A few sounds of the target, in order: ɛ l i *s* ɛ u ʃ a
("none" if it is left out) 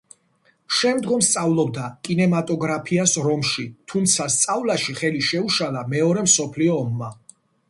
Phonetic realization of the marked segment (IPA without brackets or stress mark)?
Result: ʃ